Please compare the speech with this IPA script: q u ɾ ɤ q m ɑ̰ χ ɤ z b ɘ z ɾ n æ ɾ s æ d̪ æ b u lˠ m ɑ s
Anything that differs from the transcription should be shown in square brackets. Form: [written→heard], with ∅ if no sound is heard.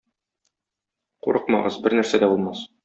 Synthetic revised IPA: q u ɾ ɤ q m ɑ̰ [χ→ʁ] ɤ z b ɘ [z→∅] ɾ n æ ɾ s æ d̪ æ b u lˠ m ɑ s